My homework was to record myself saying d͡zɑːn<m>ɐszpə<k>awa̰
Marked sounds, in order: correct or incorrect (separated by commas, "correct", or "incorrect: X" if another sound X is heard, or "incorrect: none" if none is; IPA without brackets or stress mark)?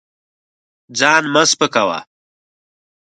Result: correct, correct